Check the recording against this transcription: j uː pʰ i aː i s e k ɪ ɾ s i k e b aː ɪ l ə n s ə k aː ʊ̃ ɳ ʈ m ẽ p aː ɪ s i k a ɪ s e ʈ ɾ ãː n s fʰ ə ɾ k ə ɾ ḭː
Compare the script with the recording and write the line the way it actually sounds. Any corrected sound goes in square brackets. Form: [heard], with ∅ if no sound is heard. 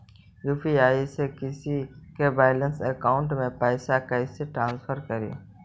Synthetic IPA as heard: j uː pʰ i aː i s e k ɪ [∅] s i k e b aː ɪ l ə n s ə k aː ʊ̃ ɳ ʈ m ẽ p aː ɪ s [a] k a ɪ s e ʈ ɾ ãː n s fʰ ə ɾ k ə ɾ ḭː